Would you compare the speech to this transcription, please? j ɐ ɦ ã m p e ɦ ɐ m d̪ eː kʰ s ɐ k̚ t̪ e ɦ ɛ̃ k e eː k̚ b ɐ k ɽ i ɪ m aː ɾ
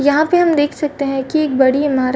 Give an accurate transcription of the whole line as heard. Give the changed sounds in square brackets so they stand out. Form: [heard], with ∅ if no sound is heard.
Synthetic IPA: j ɐ ɦ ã [∅] p e ɦ ɐ m d̪ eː kʰ s ɐ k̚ t̪ e ɦ ɛ̃ k [i] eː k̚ b ɐ [∅] ɽ i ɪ m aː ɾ